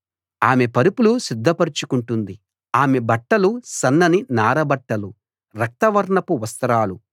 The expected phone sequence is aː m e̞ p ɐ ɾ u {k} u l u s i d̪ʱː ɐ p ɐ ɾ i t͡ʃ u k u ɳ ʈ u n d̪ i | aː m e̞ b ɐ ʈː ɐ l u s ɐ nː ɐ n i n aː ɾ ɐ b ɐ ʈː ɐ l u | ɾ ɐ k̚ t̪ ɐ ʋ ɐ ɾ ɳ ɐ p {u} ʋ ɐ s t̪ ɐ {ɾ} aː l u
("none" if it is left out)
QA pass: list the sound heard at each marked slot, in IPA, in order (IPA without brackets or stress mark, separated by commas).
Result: p, u, ɾ